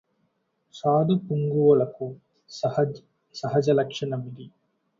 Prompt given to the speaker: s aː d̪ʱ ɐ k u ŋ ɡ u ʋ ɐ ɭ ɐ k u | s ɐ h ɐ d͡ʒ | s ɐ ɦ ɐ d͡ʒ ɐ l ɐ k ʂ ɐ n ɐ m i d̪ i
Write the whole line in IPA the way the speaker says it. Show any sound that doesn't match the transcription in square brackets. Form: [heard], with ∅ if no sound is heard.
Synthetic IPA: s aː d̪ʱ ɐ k u ŋ ɡ u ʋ ɐ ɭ ɐ k u | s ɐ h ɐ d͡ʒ | s ɐ ɦ ɐ d͡ʒ ɐ l ɐ k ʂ ɐ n ɐ m i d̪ i